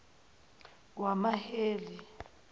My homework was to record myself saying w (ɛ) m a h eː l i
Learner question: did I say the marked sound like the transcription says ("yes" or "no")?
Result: no